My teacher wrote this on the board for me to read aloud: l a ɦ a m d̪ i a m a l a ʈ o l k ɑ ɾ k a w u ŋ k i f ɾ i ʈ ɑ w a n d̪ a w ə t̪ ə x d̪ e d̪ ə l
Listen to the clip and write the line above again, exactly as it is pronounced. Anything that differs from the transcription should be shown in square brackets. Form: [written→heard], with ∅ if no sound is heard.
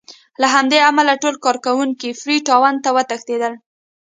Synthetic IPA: l a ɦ a m d̪ [i→e] a m a l a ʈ o l k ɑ ɾ k a w u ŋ k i f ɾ i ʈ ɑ w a n [d̪→t̪] a w ə t̪ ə x [d̪→t̪] e d̪ ə l